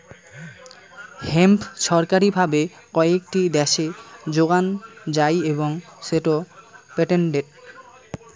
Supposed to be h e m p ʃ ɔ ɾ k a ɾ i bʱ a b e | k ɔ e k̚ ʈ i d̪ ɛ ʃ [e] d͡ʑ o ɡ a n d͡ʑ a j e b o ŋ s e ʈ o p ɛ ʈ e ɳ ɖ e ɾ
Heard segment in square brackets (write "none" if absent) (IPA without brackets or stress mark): e